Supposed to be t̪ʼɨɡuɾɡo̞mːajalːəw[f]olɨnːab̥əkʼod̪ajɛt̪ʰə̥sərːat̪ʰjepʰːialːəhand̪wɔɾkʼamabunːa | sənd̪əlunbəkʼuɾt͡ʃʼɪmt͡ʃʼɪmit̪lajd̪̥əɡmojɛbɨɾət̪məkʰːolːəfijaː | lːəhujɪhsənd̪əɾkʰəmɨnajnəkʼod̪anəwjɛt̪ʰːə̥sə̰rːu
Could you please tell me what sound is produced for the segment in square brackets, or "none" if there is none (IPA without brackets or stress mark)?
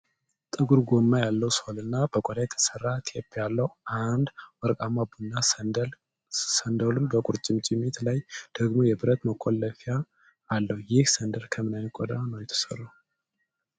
s